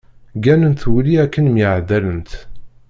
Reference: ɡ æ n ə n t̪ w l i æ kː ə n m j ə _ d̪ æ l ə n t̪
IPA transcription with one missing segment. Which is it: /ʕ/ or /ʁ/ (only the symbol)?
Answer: ʕ